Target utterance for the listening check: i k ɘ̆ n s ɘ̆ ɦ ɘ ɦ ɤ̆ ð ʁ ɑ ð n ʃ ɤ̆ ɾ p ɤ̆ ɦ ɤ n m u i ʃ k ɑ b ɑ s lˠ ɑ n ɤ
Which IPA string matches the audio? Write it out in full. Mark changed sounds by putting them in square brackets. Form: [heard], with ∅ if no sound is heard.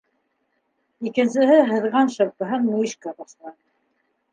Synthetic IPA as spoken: i k ɘ̆ n s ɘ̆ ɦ ɘ ɦ ɤ̆ ð ʁ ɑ [∅] n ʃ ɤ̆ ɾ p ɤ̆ ɦ ɤ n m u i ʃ k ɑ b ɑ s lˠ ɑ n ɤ